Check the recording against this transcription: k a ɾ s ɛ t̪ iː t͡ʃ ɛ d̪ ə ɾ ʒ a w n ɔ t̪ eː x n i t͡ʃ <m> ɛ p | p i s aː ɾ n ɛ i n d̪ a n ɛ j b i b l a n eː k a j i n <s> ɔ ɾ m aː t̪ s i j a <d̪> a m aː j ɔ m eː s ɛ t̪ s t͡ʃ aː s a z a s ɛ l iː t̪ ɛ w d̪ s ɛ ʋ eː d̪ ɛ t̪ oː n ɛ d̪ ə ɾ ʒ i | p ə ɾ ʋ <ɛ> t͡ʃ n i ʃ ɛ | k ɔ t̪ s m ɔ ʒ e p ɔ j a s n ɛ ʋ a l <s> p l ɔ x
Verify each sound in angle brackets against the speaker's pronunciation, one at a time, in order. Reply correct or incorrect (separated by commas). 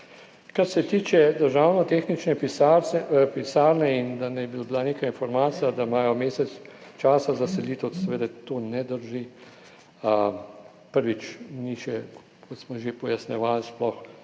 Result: incorrect, incorrect, correct, incorrect, correct